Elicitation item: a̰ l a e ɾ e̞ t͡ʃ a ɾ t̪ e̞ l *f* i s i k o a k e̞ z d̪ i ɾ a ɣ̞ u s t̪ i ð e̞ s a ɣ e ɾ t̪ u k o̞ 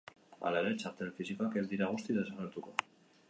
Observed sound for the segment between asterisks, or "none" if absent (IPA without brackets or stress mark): f